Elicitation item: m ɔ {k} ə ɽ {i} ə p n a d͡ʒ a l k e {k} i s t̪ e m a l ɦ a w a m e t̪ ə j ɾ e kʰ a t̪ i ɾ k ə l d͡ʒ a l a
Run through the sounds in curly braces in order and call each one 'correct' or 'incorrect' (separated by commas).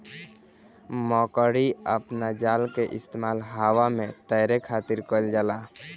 correct, correct, incorrect